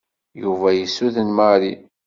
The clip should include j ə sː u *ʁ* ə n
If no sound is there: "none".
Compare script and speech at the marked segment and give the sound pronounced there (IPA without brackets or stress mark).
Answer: ð